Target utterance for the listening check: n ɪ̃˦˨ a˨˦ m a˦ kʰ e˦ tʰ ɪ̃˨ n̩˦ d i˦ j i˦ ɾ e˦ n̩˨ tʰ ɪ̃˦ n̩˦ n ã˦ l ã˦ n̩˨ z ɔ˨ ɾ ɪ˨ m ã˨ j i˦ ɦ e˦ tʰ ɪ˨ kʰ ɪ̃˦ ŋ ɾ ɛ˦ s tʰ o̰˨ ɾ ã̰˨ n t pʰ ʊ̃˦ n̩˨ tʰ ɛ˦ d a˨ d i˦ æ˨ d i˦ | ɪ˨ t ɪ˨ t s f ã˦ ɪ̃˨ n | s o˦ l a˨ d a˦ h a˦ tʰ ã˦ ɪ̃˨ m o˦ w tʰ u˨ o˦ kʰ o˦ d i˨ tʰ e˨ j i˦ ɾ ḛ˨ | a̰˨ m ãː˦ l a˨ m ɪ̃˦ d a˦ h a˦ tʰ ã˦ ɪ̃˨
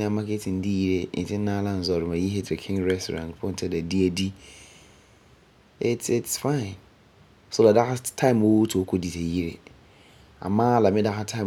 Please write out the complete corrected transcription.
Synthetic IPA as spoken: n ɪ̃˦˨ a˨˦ m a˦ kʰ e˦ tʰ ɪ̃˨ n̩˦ d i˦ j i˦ ɾ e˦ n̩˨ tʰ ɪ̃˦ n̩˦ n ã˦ l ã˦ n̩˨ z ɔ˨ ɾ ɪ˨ m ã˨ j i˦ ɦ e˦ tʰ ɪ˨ kʰ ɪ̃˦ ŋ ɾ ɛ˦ s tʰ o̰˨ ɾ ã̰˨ n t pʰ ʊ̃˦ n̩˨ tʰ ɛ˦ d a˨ d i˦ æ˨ d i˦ | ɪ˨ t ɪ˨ t s f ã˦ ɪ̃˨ n | s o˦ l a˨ d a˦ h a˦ tʰ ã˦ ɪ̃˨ m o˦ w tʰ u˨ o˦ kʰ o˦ d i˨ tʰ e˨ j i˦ ɾ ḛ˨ | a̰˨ m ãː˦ l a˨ m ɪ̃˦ d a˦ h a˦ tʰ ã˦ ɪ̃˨